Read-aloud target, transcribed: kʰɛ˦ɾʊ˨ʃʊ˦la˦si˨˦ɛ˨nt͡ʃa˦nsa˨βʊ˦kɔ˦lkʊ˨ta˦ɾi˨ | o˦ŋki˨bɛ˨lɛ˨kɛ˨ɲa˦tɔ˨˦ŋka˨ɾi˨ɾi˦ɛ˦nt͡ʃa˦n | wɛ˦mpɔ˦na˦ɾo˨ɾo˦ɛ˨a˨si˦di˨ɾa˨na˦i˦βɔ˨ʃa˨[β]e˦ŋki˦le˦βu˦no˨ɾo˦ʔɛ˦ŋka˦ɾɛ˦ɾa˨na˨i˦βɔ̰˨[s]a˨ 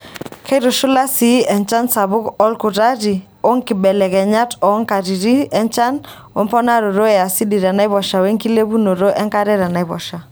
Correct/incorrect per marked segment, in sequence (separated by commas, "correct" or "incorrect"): incorrect, incorrect